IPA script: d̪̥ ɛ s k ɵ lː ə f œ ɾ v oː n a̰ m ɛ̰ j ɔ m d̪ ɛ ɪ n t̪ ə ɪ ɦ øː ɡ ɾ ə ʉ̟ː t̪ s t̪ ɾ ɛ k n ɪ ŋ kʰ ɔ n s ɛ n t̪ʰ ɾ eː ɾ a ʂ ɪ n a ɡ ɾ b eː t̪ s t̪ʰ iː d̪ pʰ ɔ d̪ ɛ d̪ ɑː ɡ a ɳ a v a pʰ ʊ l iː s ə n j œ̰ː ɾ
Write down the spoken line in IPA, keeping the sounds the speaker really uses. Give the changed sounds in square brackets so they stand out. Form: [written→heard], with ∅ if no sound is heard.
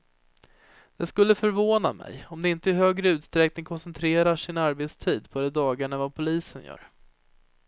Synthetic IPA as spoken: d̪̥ ɛ s k ɵ lː ə f œ ɾ v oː n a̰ m ɛ̰ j ɔ m d̪ ɛ ɪ n t̪ ə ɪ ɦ øː ɡ ɾ ə ʉ̟ː t̪ s t̪ ɾ ɛ k n ɪ ŋ kʰ ɔ n s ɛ n t̪ʰ ɾ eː ɾ a ʂ ɪ n a [ɡ→∅] ɾ b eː t̪ s t̪ʰ iː d̪ pʰ ɔ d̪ ɛ d̪ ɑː ɡ a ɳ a v a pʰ ʊ l iː s ə n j œ̰ː ɾ